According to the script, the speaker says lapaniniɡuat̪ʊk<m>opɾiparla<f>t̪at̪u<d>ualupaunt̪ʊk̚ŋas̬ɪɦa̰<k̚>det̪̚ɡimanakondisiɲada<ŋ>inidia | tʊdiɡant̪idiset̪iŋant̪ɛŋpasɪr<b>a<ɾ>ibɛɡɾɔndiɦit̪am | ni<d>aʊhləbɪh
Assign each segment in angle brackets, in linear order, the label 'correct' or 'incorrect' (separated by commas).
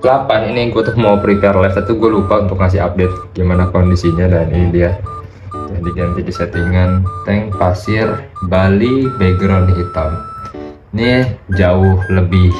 correct, correct, incorrect, incorrect, incorrect, correct, incorrect, incorrect